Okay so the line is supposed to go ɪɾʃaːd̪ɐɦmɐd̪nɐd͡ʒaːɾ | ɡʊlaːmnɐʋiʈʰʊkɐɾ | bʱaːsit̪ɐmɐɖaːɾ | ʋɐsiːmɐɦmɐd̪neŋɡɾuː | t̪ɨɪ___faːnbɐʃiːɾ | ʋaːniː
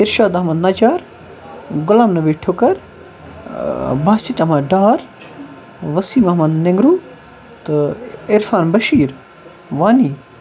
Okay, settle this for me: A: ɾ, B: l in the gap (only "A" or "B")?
A